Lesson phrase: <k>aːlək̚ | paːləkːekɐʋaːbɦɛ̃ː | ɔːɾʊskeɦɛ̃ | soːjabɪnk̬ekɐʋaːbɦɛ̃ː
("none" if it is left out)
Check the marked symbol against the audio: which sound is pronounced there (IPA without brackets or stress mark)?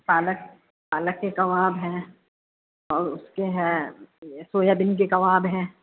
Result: p